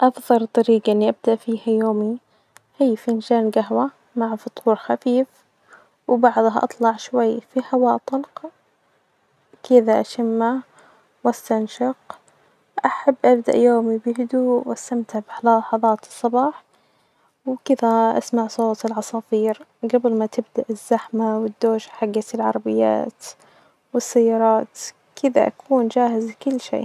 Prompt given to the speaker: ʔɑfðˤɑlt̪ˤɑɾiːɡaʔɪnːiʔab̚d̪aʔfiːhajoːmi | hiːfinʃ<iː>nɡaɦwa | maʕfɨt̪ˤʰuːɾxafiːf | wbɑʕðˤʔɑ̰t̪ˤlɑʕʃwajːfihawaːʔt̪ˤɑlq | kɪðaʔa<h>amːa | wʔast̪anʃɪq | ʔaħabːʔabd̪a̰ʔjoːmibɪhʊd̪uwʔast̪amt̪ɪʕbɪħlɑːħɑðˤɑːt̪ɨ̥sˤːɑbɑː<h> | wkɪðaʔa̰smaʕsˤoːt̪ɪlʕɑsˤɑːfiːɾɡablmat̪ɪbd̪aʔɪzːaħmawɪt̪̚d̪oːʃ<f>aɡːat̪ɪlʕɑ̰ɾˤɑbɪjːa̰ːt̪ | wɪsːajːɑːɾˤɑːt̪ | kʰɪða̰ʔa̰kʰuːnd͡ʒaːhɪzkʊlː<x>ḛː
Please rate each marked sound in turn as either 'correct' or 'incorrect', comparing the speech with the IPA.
incorrect: aː, incorrect: ʃ, incorrect: ħ, incorrect: ħ, incorrect: ʃ

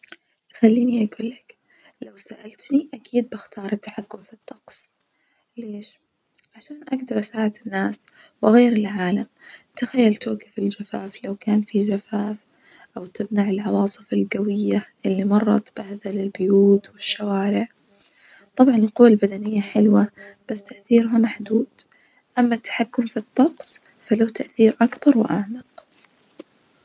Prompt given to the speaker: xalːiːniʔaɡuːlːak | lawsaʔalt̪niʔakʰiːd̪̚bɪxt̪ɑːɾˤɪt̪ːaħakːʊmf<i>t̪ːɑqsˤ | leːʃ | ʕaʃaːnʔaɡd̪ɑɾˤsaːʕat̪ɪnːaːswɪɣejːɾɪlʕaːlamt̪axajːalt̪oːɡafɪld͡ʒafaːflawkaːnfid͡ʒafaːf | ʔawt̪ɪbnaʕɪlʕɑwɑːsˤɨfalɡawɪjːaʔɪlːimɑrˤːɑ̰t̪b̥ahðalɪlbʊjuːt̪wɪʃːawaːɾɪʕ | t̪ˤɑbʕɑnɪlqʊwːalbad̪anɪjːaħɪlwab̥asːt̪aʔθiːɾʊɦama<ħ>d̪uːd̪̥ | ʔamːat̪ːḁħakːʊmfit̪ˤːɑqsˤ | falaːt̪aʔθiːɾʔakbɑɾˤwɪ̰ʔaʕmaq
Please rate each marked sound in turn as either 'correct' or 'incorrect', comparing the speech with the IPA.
correct, correct

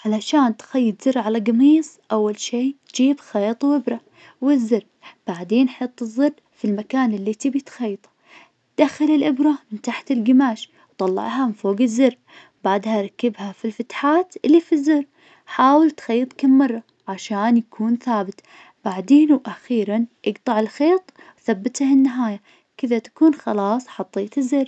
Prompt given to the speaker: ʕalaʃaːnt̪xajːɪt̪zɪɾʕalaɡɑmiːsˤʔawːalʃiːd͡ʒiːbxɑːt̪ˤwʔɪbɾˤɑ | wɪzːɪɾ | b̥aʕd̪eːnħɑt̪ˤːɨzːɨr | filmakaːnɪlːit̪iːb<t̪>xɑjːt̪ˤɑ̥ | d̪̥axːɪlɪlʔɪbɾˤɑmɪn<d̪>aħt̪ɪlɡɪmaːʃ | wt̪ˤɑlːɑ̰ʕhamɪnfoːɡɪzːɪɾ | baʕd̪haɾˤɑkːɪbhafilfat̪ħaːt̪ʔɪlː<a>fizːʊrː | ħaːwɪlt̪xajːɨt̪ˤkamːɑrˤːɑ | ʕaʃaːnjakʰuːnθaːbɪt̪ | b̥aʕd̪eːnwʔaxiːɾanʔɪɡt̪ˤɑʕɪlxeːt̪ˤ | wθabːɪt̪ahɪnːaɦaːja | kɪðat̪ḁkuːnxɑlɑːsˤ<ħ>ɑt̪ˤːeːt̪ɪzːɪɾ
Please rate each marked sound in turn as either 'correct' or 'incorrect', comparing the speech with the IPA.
correct, incorrect: t̪, incorrect: i, correct

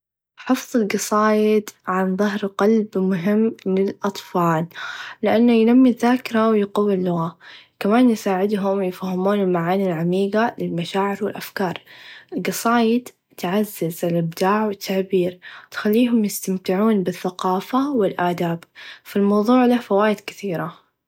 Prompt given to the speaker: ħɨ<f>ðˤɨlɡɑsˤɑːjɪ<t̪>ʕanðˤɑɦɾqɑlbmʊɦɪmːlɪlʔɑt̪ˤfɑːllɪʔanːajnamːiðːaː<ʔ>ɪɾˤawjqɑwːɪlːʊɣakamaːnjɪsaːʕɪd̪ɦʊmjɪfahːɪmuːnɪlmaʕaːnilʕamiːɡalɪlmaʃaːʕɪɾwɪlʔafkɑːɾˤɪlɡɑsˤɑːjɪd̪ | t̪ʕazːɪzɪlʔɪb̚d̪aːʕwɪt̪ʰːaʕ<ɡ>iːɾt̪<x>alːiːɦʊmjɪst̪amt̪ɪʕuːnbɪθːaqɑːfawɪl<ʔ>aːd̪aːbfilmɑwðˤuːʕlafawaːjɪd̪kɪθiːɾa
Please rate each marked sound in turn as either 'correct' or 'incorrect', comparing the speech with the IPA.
correct, incorrect: d̪, incorrect: k, incorrect: b, correct, correct

